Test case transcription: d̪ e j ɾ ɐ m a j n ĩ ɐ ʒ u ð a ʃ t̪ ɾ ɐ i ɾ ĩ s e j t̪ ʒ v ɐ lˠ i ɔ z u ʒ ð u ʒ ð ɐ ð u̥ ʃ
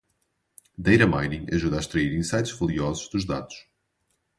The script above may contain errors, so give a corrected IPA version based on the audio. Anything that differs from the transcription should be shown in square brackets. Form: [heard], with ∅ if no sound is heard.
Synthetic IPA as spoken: d̪ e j ɾ ɐ m a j n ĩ ɐ ʒ u ð a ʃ t̪ ɾ ɐ i ɾ ĩ s [a] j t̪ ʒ v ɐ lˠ i ɔ z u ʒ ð u ʒ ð [a] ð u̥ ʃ